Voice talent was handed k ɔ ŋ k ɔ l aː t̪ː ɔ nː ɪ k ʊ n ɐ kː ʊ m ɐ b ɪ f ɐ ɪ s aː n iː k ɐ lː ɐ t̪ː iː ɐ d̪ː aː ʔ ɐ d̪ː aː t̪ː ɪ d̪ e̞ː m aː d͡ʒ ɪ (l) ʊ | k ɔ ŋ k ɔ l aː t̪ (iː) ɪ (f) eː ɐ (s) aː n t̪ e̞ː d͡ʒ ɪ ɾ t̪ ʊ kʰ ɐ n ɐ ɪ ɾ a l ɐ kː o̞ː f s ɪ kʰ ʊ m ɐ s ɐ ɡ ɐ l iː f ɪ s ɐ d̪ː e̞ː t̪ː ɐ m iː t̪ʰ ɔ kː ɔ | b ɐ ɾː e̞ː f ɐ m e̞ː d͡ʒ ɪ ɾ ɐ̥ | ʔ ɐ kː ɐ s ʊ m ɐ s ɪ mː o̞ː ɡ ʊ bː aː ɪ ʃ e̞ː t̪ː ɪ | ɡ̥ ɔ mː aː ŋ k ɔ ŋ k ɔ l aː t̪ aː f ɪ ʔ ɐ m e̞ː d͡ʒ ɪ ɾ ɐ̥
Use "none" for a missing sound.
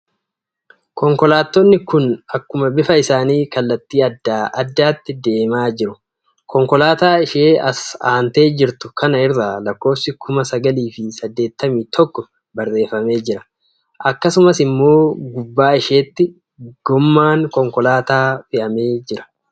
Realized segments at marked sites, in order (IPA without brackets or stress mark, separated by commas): ɾ, aː, ʃ, s